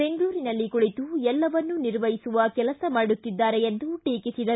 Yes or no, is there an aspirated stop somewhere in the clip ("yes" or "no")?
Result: no